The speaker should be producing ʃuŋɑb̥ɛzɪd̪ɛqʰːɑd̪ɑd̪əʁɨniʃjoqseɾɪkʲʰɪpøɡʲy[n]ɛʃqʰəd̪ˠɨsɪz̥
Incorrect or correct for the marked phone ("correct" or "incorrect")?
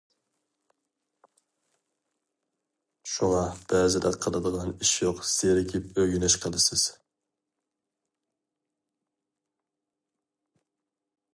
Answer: correct